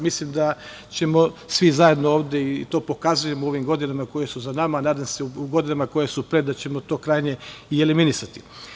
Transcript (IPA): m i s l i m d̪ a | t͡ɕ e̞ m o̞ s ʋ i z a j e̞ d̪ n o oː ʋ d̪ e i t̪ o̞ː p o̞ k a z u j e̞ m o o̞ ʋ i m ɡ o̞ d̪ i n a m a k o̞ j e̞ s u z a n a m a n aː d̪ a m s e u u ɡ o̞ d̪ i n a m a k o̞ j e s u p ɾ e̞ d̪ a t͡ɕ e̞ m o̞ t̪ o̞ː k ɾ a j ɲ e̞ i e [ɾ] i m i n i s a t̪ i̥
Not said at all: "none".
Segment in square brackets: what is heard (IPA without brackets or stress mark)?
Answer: l